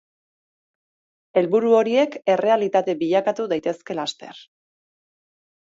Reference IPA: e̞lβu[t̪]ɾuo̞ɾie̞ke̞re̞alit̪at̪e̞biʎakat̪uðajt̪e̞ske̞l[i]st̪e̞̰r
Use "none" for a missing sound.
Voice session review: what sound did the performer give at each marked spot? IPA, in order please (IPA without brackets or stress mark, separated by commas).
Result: none, a